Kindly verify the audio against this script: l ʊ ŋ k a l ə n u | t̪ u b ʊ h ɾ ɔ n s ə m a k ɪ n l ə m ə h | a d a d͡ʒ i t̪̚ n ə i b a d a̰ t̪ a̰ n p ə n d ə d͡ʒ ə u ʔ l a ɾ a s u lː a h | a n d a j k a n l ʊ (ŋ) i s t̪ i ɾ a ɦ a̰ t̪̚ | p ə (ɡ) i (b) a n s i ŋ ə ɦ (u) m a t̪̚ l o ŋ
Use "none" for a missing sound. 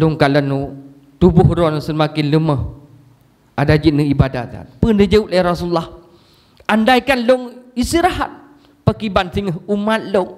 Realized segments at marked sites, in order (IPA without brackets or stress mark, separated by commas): ŋ, k, b, u